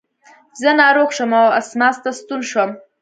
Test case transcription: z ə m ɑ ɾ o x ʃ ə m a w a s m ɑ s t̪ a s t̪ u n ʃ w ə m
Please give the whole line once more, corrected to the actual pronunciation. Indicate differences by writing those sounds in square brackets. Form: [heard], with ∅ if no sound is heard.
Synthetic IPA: z ə [n] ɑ ɾ o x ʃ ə m a w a s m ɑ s t̪ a s t̪ u n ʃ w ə m